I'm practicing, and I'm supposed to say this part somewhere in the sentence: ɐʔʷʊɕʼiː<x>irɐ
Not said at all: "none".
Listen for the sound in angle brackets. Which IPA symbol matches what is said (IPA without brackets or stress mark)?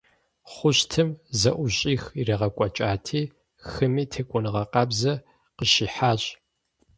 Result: x